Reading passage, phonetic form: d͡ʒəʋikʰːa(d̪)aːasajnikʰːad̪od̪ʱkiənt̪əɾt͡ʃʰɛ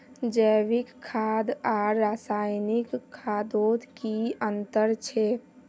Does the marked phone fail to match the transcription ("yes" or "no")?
no